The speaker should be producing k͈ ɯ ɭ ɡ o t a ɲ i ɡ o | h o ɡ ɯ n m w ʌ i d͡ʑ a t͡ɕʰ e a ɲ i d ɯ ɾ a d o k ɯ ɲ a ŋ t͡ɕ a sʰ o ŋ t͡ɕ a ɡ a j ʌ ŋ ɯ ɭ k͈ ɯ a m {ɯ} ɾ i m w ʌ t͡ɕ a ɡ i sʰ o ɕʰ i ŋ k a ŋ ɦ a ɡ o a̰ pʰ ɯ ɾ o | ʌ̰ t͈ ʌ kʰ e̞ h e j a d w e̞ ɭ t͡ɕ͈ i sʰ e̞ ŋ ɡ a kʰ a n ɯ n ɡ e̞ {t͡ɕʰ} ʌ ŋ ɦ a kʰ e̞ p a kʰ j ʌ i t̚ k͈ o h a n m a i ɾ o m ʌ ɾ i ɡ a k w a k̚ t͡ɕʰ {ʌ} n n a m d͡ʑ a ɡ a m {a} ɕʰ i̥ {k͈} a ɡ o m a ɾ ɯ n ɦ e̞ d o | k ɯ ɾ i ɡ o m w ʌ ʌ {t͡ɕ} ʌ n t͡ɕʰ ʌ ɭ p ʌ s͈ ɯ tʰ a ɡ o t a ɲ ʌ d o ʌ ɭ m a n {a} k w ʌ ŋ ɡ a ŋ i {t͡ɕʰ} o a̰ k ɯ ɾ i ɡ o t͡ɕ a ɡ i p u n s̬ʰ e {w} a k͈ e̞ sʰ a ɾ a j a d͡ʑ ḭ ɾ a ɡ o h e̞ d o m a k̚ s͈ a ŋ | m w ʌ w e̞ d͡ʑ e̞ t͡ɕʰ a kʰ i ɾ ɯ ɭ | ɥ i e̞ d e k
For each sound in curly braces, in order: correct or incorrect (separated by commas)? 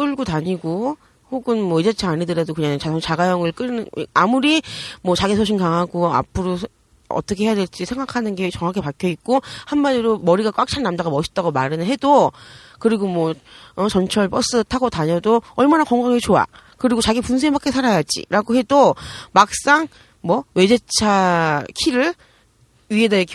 incorrect, incorrect, incorrect, incorrect, incorrect, correct, correct, incorrect, incorrect